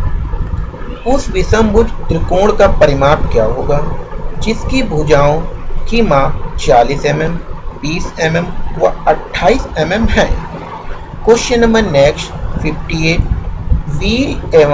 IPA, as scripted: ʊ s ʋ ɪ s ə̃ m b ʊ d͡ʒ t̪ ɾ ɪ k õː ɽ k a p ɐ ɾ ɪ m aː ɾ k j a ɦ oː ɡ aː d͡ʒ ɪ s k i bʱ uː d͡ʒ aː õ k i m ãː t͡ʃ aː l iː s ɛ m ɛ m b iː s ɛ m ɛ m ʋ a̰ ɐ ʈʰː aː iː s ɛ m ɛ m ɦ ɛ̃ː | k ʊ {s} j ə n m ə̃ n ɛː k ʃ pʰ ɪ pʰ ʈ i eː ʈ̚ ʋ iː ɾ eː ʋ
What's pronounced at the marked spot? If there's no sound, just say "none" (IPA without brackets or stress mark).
ʃ